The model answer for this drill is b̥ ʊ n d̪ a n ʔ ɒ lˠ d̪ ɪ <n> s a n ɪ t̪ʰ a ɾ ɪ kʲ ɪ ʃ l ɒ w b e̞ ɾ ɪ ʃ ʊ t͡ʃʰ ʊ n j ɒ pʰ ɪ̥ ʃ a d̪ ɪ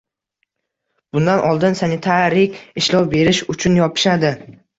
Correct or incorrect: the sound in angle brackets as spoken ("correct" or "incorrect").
correct